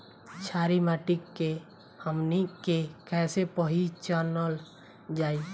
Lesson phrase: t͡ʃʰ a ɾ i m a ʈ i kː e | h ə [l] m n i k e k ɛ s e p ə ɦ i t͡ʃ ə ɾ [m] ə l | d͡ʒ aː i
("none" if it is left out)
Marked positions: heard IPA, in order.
none, n

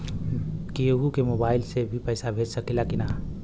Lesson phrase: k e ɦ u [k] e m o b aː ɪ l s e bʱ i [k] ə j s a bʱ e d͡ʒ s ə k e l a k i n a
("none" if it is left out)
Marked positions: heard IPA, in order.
k, p

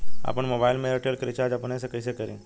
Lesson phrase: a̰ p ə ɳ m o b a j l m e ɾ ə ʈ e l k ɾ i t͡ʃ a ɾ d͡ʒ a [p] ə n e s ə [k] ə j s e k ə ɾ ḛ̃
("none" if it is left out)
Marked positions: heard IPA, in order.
p, k

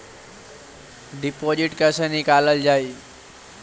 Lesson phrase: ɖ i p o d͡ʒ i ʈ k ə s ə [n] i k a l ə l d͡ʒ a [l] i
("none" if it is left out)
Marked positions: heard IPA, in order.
n, none

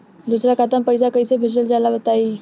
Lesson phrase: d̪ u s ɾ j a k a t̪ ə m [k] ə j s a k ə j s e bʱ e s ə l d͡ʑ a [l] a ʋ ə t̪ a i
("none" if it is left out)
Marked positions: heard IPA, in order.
p, l

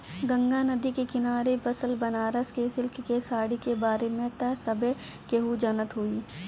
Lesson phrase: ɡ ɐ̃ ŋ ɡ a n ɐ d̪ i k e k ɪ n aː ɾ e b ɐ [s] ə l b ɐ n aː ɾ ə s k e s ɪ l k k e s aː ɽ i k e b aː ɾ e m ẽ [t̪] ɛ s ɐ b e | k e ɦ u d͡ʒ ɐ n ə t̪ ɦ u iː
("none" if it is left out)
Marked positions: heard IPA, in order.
s, t̪

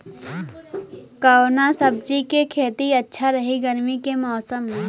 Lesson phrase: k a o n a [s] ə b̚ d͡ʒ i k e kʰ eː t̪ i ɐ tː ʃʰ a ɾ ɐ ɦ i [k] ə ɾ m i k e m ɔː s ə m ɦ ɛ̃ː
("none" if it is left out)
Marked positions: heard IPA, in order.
s, ɡ

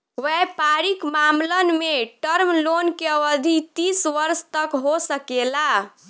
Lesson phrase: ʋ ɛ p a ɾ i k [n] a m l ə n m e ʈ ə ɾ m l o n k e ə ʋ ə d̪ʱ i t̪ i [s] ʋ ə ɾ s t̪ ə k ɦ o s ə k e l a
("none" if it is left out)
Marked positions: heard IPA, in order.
m, s

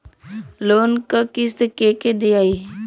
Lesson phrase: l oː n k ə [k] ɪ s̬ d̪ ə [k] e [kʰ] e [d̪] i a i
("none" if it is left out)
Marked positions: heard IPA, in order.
k, k, k, d̪

